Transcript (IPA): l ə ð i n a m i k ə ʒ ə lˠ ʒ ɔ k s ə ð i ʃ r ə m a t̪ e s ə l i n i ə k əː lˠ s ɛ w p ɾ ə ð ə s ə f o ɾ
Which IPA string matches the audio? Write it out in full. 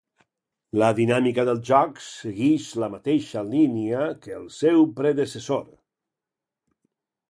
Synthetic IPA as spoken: l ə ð i n a m i k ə ð ə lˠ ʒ ɔ k s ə ɣ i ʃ l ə m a t̪ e ʃ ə l i n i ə k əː lˠ s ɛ w p ɾ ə ð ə s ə s o ɾ